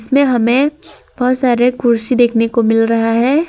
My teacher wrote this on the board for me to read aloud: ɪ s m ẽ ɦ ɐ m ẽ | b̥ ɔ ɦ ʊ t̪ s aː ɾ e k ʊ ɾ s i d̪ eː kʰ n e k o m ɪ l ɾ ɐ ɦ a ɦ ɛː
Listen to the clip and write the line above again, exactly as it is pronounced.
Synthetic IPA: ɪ s m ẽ ɦ ɐ m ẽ | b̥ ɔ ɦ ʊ t̪ s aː ɾ e k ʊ ɾ s i d̪ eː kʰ n e k o m ɪ l ɾ ɐ ɦ a ɦ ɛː

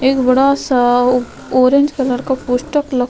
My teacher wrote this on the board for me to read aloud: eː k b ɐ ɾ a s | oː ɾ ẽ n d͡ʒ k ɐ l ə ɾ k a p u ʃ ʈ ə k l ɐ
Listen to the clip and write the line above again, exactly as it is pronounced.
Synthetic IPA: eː k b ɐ ɽ a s | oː ɾ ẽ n d͡ʒ k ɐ l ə ɾ k a p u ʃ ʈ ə k l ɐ

